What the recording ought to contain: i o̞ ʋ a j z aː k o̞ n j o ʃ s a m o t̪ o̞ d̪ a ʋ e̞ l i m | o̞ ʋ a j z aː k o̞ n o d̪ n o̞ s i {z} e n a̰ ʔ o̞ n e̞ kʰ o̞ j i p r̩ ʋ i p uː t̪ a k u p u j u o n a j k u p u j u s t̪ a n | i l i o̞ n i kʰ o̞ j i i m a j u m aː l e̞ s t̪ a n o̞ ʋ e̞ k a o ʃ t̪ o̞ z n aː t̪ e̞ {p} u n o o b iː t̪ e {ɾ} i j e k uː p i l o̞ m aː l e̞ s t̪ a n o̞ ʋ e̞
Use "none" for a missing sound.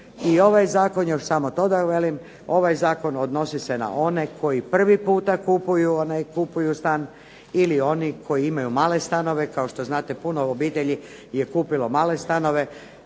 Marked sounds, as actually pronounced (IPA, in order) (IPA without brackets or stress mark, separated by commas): s, p, ʎ